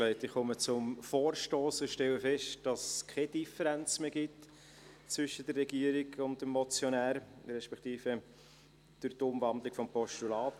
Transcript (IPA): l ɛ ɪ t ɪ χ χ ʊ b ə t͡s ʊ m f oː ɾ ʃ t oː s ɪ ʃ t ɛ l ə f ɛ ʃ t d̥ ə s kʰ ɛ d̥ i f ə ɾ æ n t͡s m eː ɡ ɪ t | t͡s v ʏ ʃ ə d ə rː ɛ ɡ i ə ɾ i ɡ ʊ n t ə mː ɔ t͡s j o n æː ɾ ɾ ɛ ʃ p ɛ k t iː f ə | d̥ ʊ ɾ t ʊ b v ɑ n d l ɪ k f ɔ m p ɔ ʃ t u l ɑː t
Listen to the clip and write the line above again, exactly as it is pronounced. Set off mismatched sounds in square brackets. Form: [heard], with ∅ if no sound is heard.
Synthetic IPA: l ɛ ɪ t ɪ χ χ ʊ [m] ə t͡s ʊ m f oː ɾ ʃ t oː s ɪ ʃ t ɛ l ə f ɛ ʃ t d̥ [ɑ] s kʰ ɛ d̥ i f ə ɾ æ n t͡s m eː ɡ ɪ t | t͡s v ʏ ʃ ə d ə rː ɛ ɡ i ə ɾ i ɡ ʊ n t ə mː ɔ t͡s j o n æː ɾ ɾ ɛ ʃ p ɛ k t iː f ə | d̥ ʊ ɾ t ʊ [m] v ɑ n d l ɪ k f ɔ m p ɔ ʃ t u l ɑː t